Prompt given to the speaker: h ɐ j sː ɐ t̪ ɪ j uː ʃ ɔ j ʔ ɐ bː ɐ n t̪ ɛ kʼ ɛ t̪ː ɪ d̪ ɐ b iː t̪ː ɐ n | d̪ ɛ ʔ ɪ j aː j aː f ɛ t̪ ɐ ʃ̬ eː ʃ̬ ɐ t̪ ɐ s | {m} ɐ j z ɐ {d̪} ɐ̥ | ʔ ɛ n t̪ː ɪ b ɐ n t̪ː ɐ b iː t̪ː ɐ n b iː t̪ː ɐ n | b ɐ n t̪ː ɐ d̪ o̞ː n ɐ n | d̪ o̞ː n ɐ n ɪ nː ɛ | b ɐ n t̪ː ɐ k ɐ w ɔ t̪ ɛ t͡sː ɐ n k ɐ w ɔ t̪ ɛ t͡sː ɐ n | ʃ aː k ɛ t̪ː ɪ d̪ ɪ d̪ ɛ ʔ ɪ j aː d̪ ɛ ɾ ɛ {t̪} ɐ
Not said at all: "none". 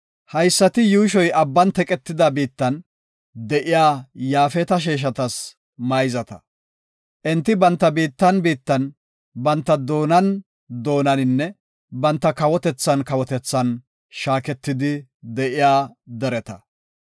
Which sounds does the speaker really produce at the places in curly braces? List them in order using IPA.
m, t̪, t̪

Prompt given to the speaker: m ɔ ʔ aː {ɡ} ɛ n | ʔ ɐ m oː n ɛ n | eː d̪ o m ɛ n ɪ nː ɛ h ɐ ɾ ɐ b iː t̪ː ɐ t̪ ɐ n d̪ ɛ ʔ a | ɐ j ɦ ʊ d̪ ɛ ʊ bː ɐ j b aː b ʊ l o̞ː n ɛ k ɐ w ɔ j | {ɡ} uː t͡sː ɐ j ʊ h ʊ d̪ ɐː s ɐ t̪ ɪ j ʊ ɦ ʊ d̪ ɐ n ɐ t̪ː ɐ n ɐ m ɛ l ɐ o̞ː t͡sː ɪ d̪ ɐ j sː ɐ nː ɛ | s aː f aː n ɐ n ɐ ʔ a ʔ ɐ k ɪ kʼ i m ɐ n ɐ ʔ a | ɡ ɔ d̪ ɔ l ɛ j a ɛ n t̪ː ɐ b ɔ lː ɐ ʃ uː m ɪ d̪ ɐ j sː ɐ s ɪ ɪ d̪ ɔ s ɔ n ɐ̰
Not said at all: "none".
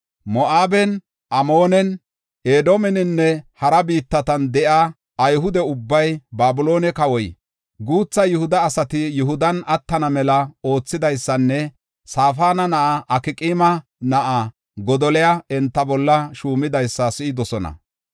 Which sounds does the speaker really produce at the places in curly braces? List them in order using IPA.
b, ɡ

